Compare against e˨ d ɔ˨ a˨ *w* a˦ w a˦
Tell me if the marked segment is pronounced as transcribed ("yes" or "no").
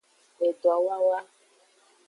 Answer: yes